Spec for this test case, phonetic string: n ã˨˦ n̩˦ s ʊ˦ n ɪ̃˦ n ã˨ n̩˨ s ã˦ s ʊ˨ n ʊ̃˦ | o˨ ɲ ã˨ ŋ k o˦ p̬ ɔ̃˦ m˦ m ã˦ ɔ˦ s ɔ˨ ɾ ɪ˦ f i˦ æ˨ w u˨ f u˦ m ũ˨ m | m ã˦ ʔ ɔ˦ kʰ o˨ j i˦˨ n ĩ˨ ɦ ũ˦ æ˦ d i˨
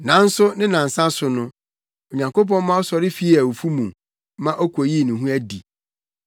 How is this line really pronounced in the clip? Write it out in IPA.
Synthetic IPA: n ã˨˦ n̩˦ s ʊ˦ n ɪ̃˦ n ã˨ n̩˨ s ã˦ s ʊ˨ n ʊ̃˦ | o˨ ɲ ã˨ ŋ k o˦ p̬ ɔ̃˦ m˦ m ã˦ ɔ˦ s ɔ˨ ɾ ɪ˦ f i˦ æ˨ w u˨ f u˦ m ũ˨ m | m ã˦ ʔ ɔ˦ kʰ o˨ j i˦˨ n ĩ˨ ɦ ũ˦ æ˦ d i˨